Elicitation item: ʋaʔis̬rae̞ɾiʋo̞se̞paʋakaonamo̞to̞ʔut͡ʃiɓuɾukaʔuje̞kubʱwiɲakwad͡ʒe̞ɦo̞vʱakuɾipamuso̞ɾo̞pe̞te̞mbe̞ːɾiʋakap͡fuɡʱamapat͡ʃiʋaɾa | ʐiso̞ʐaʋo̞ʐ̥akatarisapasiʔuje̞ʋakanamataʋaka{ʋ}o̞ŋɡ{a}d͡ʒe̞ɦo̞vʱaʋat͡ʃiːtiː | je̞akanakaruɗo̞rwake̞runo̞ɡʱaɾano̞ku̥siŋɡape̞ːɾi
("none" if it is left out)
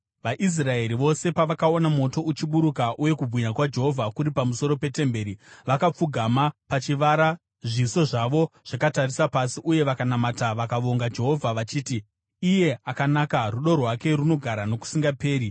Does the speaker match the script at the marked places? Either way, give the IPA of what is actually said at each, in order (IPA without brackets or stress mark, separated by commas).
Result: ʋ, a